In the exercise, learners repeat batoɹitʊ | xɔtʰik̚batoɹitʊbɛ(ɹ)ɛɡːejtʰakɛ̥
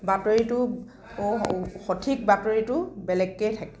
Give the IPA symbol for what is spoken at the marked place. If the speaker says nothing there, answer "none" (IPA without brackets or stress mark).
l